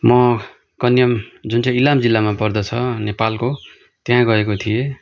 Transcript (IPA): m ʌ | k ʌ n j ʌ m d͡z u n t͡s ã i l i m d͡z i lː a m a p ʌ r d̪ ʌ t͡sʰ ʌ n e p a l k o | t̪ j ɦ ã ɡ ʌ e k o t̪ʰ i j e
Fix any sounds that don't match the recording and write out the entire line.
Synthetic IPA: m ʌ | k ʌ n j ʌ m d͡z u n t͡s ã i l a m d͡z i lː a m a p ʌ r d̪ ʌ t͡sʰ ʌ n e p a l k o | t̪ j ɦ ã ɡ ʌ e k o t̪ʰ i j e